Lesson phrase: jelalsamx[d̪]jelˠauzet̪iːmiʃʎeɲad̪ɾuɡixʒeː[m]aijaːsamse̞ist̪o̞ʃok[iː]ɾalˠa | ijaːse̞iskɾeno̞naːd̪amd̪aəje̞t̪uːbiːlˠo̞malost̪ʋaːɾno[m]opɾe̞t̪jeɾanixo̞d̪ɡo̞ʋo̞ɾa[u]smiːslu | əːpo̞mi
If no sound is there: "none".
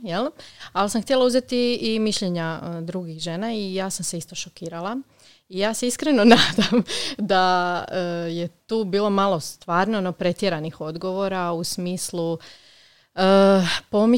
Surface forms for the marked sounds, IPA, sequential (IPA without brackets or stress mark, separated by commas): t̪, n, iː, n, u